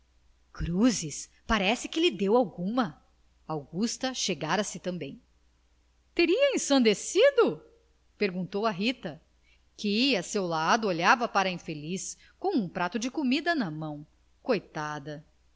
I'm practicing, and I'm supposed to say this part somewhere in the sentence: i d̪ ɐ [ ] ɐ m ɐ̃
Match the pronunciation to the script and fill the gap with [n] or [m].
n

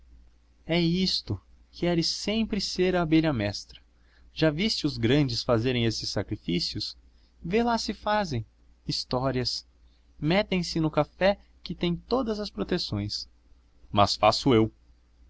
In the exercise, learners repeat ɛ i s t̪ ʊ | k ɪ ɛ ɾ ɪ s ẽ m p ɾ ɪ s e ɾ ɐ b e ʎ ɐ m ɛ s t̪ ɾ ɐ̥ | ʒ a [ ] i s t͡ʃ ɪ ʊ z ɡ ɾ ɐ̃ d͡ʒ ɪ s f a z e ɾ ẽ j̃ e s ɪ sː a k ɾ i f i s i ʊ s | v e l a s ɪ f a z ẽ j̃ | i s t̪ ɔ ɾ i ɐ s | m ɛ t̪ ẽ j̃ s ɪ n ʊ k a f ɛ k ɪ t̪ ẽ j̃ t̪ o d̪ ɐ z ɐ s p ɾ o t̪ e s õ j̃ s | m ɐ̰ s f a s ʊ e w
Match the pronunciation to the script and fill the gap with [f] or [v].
v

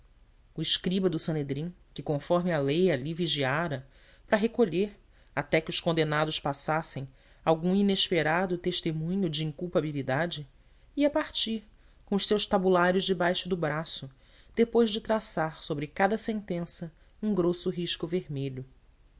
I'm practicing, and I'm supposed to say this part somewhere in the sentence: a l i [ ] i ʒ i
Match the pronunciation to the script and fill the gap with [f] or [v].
v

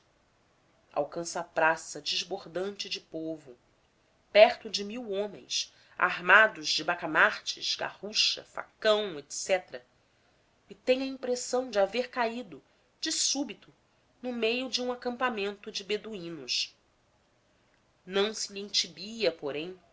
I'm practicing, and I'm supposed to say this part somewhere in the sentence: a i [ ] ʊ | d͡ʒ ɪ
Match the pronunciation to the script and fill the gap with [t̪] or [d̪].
d̪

